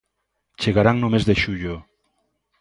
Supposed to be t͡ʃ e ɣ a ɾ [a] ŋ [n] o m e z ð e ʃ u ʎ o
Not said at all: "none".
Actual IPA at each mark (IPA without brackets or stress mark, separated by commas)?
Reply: a, n